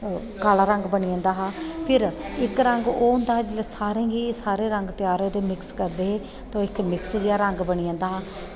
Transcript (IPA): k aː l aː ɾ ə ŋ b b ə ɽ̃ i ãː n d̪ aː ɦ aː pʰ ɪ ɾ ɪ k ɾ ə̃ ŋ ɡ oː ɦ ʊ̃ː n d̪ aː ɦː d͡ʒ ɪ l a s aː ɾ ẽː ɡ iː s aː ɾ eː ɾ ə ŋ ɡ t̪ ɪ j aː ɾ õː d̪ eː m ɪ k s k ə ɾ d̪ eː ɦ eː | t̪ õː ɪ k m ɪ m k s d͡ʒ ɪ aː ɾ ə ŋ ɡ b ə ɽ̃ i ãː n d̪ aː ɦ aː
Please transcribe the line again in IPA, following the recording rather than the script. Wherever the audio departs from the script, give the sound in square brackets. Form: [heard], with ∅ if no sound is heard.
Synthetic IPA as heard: k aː l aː ɾ ə ŋ [ɡ] b ə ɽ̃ i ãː n d̪ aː ɦ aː pʰ ɪ ɾ ɪ k ɾ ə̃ ŋ ɡ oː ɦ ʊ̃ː n d̪ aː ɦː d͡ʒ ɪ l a s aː ɾ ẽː ɡ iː s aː ɾ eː ɾ ə ŋ ɡ t̪ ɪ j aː ɾ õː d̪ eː m ɪ k s k ə ɾ d̪ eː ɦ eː | t̪ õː ɪ k m ɪ [∅] k s d͡ʒ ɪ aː ɾ ə ŋ ɡ b ə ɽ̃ i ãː n d̪ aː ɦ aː